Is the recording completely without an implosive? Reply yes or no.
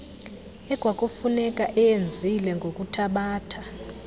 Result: no